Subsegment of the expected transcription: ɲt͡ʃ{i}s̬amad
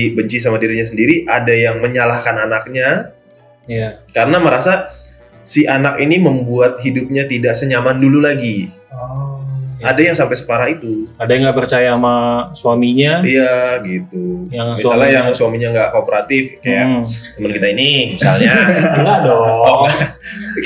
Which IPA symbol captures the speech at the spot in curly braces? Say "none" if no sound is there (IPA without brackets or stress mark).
i